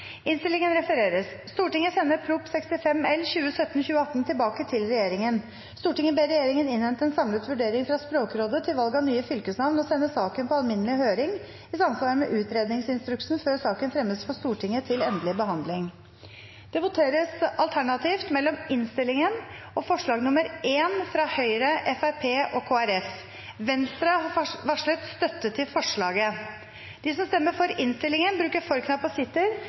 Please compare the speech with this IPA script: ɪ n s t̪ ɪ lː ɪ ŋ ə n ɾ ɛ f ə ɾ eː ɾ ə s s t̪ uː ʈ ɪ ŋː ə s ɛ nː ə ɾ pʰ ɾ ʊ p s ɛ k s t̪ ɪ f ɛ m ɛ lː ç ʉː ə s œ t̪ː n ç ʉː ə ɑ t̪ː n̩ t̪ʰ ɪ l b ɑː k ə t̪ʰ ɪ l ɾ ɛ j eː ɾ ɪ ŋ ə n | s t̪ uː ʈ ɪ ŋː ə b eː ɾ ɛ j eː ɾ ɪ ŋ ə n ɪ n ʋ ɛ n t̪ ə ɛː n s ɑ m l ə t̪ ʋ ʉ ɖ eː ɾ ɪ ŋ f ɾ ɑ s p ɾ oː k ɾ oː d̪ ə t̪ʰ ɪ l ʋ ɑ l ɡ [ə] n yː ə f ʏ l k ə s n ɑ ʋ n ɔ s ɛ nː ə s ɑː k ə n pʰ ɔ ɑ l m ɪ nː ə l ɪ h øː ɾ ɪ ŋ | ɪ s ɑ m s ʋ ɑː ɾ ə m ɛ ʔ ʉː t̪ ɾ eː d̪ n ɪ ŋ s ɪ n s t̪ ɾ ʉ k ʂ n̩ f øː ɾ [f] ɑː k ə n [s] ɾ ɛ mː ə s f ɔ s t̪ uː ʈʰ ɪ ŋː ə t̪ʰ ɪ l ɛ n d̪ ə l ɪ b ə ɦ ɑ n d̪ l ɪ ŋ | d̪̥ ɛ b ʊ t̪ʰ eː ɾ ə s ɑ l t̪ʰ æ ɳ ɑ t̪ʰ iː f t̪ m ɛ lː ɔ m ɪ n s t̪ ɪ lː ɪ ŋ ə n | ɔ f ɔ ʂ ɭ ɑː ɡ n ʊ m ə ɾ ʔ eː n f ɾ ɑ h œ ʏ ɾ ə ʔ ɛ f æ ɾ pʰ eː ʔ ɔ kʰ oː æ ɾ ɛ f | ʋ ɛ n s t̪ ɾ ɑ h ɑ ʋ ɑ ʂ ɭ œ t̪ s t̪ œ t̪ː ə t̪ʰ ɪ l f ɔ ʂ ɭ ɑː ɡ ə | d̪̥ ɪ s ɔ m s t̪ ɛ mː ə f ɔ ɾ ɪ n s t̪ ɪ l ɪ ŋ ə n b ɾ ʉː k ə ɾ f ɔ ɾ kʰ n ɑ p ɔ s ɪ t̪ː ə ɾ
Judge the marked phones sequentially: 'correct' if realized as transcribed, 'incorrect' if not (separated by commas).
incorrect, incorrect, incorrect